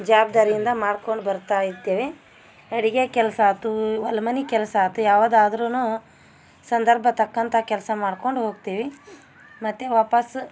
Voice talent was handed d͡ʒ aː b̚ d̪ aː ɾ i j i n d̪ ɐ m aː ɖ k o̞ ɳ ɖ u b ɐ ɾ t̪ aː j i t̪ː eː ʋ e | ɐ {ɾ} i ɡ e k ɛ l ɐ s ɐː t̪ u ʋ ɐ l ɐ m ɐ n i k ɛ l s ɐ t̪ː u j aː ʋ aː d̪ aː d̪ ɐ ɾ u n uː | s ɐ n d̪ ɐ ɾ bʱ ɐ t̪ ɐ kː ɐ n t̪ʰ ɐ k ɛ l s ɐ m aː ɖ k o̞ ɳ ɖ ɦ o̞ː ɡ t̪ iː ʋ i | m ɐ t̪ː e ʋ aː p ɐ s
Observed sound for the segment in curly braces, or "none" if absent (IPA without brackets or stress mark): ɽ